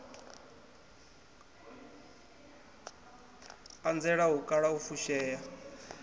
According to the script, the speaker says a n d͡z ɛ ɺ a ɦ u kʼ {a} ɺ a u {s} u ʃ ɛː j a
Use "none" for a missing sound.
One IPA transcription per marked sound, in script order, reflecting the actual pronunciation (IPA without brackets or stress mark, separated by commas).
a, f